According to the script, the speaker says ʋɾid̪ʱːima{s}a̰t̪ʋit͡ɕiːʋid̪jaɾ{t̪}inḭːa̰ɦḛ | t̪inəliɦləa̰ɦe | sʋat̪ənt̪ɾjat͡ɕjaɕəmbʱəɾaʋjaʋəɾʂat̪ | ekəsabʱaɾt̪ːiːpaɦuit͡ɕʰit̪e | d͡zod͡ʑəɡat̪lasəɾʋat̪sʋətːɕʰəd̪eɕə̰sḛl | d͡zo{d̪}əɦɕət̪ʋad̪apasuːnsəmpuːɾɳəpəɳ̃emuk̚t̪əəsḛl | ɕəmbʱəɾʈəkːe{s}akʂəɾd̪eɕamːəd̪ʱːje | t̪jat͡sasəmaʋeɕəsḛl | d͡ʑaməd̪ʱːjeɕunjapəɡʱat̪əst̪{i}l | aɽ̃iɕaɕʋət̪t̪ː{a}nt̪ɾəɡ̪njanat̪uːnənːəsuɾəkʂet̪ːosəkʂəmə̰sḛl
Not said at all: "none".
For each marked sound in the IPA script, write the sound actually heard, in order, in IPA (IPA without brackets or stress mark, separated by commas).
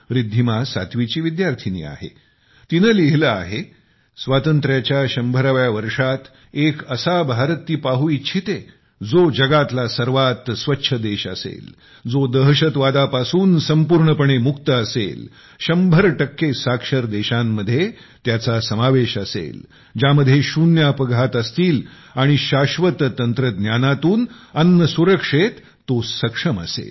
s, t̪ʰ, d̪, s, iː, ə